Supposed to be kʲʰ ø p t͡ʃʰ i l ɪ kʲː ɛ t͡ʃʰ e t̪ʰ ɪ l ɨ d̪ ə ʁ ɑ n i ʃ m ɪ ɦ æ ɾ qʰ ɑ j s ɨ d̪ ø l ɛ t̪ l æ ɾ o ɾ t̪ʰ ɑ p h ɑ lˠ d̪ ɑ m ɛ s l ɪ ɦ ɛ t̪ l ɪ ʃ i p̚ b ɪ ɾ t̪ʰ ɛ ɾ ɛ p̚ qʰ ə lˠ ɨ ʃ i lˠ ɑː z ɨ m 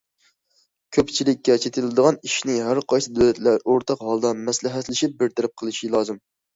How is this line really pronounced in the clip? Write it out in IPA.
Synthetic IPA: kʲʰ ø p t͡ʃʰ i l ɪ kʲː ɛ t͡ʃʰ e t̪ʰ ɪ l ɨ d̪ ə ʁ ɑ n i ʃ n ɪ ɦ æ ɾ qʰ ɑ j s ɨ d̪ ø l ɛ t̪ l æ ɾ o ɾ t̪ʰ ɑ q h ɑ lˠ d̪ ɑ m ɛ s l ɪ ɦ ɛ t̪ l ɪ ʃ i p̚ b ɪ ɾ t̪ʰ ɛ ɾ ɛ p̚ qʰ ə lˠ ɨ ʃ i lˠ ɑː z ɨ m